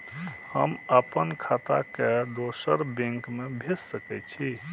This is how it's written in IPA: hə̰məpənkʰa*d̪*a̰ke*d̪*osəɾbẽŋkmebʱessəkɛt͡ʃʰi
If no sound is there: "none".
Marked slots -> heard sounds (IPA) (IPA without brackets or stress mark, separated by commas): t̪, d̪